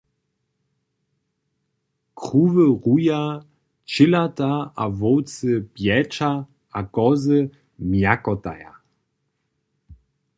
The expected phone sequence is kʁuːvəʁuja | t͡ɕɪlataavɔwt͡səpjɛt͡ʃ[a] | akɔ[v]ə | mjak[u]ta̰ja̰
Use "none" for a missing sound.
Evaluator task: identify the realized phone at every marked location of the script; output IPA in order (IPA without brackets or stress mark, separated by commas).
a, z, ɔ